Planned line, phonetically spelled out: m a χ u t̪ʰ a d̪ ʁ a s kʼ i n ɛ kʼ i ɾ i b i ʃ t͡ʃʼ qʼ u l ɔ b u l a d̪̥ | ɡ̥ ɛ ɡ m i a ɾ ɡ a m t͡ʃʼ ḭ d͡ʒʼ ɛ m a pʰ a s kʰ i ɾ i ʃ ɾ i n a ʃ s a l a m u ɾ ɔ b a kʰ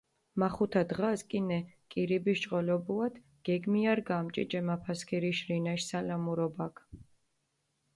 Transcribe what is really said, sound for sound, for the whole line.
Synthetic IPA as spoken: m a χ u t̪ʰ a d̪ ʁ a s kʼ i n ɛ kʼ i ɾ i b i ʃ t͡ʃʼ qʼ ɔ l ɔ b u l a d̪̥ | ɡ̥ ɛ ɡ m i a ɾ ɡ a m t͡ʃʼ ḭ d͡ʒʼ ɛ m a pʰ a s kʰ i ɾ i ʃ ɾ i n a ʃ s a l a m u ɾ ɔ b a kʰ